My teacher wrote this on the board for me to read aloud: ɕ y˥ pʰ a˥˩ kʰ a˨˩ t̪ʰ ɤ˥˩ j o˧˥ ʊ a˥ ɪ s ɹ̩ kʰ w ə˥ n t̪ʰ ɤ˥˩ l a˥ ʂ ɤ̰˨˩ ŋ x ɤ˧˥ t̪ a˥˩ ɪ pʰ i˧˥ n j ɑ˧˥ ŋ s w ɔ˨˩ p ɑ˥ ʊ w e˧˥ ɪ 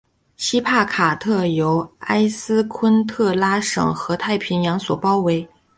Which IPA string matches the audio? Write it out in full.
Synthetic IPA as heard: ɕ i˥ pʰ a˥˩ kʰ a˨˩ t̪ʰ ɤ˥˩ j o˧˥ ʊ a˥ ɪ s ɹ̩ kʰ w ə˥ n t̪ʰ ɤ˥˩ l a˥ ʂ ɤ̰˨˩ ŋ x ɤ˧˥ t̪ʰ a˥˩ ɪ pʰ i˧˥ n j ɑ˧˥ ŋ s w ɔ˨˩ p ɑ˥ ʊ w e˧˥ ɪ